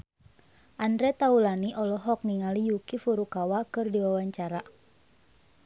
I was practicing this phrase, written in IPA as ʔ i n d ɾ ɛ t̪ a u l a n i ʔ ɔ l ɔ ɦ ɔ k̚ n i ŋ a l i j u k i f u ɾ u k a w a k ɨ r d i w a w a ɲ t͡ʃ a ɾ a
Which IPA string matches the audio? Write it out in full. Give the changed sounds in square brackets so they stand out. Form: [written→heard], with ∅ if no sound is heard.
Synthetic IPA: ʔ [i→a] n d ɾ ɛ t̪ a u l a n i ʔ ɔ l ɔ ɦ ɔ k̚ n i ŋ a l i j u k i f u ɾ u k a w a k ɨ r d i w a w a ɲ t͡ʃ a ɾ a

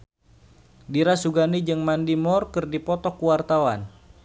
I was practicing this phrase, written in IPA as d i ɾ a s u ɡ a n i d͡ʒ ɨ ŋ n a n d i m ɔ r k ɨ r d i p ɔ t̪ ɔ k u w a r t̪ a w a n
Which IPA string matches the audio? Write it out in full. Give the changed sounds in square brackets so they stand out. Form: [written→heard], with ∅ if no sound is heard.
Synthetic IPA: d i ɾ a s u ɡ a n i d͡ʒ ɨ ŋ [n→m] a n d i m ɔ r k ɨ r d i p ɔ t̪ ɔ k u w a r t̪ a w a n

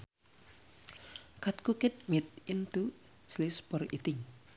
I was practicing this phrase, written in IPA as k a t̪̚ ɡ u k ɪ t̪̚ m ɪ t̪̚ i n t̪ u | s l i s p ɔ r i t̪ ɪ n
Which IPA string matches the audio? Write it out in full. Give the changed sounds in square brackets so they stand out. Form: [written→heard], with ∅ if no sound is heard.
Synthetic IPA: k a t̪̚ [ɡ→k] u k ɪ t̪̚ m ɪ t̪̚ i n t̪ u | s l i s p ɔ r i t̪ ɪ [n→ŋ]

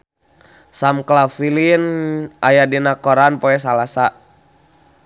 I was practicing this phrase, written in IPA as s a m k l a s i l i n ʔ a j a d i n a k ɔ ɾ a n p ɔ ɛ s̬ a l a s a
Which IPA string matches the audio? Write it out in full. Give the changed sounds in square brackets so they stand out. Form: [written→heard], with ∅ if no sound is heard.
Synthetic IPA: s a m k l a [s→f] i l i n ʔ a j a d i n a k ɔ ɾ a n p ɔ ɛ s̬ a l a s a

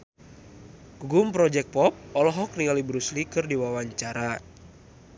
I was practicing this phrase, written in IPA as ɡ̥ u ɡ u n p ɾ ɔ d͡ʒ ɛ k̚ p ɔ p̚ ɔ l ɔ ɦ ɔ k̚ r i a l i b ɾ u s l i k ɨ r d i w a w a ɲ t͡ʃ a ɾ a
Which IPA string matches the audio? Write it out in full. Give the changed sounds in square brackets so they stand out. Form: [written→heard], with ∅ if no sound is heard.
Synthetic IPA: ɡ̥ u ɡ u [n→m] p ɾ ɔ d͡ʒ ɛ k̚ p ɔ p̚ ɔ l ɔ ɦ ɔ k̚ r i a l i b ɾ u s l i k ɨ r d i w a w a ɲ t͡ʃ a ɾ a

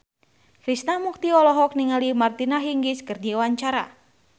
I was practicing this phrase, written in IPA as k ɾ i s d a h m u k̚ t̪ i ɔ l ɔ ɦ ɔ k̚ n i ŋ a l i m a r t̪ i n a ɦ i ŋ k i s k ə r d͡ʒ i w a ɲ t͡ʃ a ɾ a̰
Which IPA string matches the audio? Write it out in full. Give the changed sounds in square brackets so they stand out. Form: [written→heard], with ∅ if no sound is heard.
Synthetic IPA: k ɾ i s [d→n] a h m u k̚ t̪ i ɔ l ɔ ɦ ɔ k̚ n i ŋ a l i m a r t̪ i n a ɦ i ŋ [k→ɡ] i s k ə r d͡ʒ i w a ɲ t͡ʃ a ɾ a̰

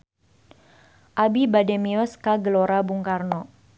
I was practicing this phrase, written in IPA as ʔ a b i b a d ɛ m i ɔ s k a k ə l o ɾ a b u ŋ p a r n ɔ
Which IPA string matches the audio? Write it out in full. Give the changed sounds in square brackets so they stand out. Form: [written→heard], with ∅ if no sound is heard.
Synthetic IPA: ʔ a b i b a d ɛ m i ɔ s k a [k→ɡ] ə l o ɾ a b u ŋ [p→k] a r n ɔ

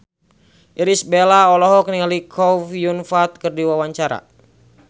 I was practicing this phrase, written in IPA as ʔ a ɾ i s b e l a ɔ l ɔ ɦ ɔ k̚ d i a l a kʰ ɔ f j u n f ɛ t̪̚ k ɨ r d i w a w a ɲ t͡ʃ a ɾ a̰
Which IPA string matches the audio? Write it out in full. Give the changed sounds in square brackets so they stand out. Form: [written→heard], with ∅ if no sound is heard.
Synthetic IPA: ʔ [a→i] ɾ i s b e l a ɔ l ɔ ɦ ɔ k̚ [d→n] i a l [a→i] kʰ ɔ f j u n f [ɛ→a] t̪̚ k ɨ r d i w a w a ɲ t͡ʃ a ɾ a̰

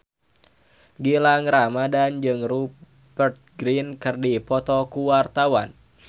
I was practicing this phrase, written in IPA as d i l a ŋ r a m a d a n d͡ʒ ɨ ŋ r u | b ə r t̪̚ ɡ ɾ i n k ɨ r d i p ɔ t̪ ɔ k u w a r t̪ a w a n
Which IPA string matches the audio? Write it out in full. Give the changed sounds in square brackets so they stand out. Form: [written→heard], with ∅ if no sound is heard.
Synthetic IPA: [d→ɡ] i l a ŋ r a m a d a n d͡ʒ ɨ ŋ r u | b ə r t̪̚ ɡ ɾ i n k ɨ r d i p ɔ t̪ ɔ k u w a r t̪ a w a n

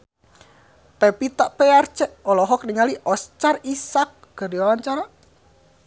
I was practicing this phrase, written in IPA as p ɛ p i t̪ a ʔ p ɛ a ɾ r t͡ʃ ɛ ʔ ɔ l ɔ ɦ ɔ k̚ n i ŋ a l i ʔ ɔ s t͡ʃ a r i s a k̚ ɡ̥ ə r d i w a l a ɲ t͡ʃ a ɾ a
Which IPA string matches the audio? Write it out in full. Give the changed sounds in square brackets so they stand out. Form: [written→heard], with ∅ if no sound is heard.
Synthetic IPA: p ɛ p i t̪ a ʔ p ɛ a [ɾ→∅] r t͡ʃ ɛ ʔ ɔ l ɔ ɦ ɔ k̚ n i ŋ a l i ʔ ɔ s t͡ʃ a r i s a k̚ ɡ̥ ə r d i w a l a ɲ t͡ʃ a ɾ a

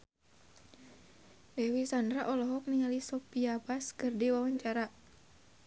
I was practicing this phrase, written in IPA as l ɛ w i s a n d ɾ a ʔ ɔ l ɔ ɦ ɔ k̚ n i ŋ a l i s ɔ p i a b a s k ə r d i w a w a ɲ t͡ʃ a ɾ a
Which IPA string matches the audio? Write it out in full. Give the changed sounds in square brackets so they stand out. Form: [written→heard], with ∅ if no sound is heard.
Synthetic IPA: l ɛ w i s a n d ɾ a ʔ ɔ l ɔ ɦ ɔ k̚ n i ŋ a l i s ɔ p i a b a s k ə r d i w a w a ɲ t͡ʃ a ɾ a

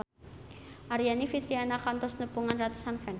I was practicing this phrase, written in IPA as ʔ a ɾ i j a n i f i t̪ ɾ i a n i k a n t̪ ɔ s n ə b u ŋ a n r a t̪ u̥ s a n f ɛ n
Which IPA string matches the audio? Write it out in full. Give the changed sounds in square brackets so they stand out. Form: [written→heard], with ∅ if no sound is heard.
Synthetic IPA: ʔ a ɾ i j a n i f i t̪ ɾ i a n [i→a] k a n t̪ ɔ s n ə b u ŋ a n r a t̪ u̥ s a n f ɛ n

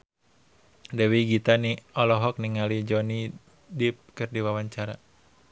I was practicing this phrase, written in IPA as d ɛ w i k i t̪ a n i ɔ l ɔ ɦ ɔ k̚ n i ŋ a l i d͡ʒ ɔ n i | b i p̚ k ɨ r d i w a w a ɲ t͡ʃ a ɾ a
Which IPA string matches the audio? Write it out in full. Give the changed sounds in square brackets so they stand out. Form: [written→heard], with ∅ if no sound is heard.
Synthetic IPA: d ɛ w i [k→ɡ] i t̪ a n i ɔ l ɔ ɦ ɔ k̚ n i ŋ a l i d͡ʒ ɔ n i | [b→d] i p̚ k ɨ r d i w a w a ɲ t͡ʃ a ɾ a

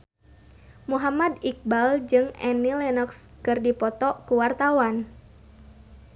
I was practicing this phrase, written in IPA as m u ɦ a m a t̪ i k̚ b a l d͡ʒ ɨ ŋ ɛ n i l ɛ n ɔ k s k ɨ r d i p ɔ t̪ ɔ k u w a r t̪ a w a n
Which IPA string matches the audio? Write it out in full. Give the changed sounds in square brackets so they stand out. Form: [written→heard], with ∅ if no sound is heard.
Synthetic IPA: m u ɦ a m a [t̪→d̪] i k̚ b a l d͡ʒ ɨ ŋ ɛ n i l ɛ n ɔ k s k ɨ r d i p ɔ t̪ ɔ k u w a r t̪ a w a n

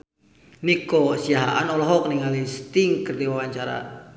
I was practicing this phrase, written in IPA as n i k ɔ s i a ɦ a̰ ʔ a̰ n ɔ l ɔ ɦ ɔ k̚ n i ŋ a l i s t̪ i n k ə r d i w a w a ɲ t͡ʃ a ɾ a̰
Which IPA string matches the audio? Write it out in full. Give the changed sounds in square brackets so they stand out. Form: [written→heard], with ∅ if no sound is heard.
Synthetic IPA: n i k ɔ s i a ɦ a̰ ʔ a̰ n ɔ l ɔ ɦ ɔ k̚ n i ŋ a l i s t̪ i [n→ŋ] k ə r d i w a w a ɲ t͡ʃ a ɾ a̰

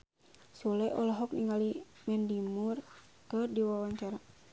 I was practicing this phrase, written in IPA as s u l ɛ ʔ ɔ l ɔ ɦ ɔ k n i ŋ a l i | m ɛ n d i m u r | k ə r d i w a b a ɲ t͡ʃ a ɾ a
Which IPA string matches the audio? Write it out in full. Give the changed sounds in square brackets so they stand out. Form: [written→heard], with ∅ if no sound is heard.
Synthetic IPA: s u l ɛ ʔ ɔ l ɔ ɦ ɔ k n i ŋ a l i | m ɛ n d i m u r | k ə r d i w a [b→w] a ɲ t͡ʃ a ɾ a

